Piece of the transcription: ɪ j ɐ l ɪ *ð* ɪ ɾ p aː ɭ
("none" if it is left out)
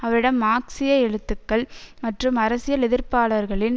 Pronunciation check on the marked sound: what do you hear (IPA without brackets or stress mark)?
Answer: ð